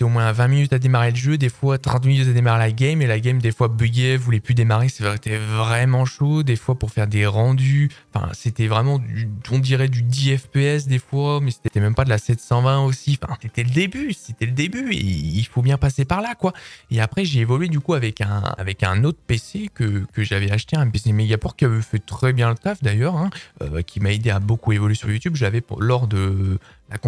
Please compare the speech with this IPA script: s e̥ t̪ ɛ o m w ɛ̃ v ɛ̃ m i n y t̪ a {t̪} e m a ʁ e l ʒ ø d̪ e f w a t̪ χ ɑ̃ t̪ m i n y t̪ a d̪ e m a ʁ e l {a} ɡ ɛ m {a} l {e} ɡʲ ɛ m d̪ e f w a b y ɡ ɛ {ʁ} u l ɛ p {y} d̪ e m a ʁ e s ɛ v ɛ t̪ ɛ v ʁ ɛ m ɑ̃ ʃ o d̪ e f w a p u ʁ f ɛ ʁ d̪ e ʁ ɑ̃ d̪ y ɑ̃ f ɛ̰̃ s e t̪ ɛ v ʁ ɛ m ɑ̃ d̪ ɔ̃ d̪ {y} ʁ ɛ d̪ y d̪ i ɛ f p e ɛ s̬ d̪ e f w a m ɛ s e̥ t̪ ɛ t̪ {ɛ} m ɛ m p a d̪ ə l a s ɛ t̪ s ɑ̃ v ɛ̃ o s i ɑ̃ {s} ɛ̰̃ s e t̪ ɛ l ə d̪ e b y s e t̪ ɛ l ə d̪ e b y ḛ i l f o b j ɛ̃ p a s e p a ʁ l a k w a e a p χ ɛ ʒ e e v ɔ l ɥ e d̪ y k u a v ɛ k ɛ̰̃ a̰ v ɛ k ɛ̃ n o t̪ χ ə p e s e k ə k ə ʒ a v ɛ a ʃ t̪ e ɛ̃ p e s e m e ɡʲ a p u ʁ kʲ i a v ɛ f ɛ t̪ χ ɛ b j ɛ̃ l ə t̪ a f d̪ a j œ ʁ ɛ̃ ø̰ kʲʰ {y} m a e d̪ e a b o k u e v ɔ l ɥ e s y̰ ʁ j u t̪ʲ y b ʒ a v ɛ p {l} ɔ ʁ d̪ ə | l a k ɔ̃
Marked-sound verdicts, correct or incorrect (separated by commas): incorrect, correct, incorrect, incorrect, incorrect, correct, incorrect, correct, incorrect, incorrect, correct